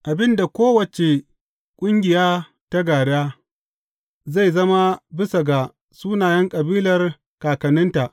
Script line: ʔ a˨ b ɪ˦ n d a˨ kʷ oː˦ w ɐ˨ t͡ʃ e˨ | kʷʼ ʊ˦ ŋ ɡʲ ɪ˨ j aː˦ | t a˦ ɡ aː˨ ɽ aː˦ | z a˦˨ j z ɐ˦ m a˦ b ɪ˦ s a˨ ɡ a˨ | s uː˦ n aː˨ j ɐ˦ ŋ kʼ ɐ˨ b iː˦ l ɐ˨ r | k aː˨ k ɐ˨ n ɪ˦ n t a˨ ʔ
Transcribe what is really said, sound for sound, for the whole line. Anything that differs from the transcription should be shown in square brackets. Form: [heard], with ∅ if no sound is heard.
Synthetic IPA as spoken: ʔ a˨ b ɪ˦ n d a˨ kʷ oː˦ w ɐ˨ t͡ʃ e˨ | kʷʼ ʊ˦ ŋ ɡʲ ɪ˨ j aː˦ | t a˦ ɡ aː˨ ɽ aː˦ | z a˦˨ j z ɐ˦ m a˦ b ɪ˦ s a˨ ɡ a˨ | s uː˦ n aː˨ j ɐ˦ ŋ kʼ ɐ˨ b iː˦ l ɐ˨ r | k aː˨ k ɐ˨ n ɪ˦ n t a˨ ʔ